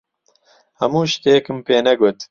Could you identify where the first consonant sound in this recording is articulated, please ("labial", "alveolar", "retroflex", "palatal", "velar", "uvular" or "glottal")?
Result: glottal